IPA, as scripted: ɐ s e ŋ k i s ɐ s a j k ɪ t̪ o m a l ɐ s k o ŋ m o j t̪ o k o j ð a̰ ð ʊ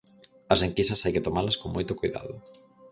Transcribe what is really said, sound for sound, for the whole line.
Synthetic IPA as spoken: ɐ s e ŋ k i s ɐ s a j k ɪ t̪ o m a l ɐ s k o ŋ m o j t̪ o k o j ð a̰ ð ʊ